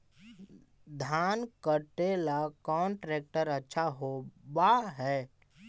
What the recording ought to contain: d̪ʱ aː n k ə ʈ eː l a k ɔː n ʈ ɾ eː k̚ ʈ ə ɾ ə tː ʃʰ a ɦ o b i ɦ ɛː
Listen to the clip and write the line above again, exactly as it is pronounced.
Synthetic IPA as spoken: d̪ʱ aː n k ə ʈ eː l a k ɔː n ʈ ɾ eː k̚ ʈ ə ɾ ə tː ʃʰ a ɦ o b a ɦ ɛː